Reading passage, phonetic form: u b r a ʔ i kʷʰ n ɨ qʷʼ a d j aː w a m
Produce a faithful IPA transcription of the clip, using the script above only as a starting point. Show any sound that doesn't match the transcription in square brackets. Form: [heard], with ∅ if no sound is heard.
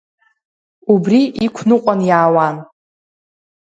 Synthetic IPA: u b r [i] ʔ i kʷʰ n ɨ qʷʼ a [n] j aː w a [n]